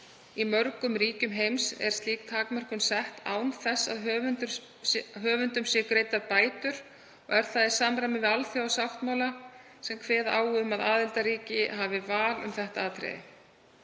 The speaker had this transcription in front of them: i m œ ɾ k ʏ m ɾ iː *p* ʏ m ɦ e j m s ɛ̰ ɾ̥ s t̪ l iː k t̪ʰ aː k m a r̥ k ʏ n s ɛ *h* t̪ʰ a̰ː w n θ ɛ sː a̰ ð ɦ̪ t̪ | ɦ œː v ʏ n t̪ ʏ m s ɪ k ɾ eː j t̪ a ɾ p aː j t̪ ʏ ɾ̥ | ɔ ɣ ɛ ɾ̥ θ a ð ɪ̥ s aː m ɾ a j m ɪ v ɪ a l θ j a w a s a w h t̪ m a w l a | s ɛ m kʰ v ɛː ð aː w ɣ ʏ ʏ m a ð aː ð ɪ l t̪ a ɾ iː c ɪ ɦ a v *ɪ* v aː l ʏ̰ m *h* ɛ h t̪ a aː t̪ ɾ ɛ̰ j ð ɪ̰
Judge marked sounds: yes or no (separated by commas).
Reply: no, yes, yes, no